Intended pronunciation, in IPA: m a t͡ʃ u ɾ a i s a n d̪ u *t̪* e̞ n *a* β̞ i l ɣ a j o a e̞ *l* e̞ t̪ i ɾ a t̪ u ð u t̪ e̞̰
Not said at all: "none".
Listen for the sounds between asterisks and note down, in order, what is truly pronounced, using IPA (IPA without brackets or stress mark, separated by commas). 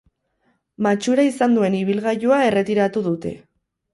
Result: none, i, r